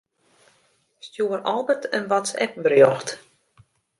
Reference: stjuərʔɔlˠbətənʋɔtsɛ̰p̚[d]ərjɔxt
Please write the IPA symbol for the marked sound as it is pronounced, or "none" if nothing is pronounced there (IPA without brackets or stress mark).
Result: b